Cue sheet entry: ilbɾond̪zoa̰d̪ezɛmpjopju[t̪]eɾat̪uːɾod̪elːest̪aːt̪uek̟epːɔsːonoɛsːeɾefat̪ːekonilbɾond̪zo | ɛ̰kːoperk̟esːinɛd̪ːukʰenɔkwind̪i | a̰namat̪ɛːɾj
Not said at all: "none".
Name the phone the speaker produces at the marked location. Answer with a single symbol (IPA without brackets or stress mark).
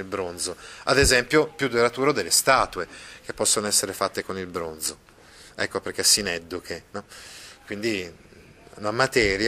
d̪